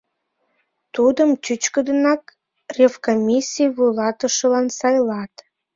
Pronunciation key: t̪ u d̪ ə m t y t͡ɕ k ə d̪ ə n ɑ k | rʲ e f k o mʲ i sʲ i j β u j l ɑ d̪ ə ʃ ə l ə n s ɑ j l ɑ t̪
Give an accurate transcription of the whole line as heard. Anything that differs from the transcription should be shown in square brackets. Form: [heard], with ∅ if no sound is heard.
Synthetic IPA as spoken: t̪ u d̪ ə m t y t͡ɕ k ə d̪ ə n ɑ k | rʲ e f k o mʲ i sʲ i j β u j l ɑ [t̪] ə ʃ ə l [ɑ] n s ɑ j l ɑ t̪